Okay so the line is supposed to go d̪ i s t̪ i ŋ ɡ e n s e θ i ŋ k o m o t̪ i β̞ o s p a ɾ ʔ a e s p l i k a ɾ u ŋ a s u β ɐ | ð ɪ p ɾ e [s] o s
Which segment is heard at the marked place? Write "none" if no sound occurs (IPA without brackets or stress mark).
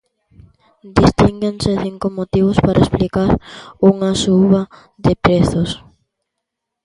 θ